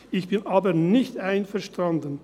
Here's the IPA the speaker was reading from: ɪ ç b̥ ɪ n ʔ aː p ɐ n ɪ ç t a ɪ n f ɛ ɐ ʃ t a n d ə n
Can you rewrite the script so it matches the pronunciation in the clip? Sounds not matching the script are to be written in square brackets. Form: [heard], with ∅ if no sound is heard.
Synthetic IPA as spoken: ɪ ç b̥ ɪ n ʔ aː [b] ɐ n ɪ ç t a ɪ n f ɛ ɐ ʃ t a n d ə n